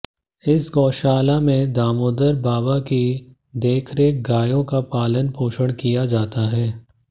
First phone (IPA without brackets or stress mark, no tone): ɪ